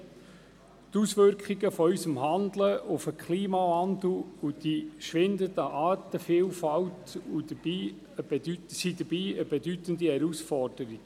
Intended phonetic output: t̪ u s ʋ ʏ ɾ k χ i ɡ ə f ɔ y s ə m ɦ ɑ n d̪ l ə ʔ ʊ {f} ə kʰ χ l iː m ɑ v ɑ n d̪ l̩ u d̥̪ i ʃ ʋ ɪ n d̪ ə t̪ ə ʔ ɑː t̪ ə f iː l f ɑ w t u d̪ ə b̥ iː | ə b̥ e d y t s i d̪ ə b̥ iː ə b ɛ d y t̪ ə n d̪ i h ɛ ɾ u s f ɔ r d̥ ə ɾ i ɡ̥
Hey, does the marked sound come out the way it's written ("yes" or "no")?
yes